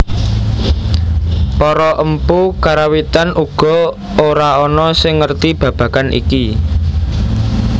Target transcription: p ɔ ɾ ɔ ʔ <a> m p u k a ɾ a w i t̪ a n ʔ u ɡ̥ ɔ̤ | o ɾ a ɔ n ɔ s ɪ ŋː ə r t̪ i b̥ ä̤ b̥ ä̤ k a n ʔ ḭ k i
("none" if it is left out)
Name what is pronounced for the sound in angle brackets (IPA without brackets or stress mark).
ə